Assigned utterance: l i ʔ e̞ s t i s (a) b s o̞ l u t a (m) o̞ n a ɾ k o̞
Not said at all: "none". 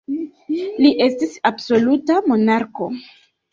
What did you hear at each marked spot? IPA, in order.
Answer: a, m

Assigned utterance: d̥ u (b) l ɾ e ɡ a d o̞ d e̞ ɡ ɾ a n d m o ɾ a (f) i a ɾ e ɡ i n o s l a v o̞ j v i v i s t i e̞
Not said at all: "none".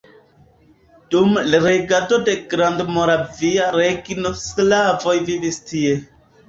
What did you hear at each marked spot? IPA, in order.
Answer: m, v

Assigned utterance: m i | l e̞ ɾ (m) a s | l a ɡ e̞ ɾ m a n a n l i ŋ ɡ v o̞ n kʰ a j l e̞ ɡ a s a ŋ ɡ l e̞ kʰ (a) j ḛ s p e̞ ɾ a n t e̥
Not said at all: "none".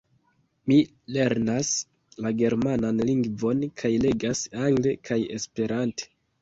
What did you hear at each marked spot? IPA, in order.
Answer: n, a

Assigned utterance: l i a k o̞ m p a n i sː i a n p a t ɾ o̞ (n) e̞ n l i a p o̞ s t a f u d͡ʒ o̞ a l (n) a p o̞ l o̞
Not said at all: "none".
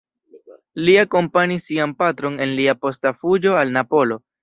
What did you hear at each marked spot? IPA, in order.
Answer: n, n

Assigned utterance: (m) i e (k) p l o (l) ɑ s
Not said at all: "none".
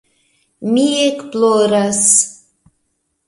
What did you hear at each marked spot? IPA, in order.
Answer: m, k, ɾ

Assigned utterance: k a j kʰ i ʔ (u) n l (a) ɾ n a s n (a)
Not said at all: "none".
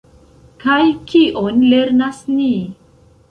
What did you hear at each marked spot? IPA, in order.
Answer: o, e, i

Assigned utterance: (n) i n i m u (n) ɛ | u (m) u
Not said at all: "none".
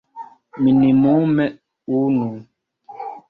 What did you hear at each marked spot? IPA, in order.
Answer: m, m, n

